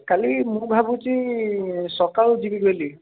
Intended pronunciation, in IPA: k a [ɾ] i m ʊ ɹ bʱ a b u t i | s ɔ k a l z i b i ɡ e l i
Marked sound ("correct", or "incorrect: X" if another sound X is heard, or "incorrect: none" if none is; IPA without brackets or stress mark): incorrect: l